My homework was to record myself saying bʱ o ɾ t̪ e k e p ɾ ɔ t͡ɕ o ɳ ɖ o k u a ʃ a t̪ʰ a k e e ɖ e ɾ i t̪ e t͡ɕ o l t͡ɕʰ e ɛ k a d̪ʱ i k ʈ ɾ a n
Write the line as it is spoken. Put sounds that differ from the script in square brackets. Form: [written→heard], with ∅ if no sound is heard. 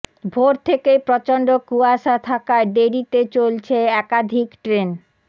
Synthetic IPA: bʱ o ɾ [t̪→t̪ʰ] e k e p ɾ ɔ t͡ɕ o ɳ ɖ o k u a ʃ a t̪ʰ a k [e→a] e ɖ e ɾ i t̪ e t͡ɕ o l t͡ɕʰ e ɛ k a d̪ʱ i k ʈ ɾ [a→e] n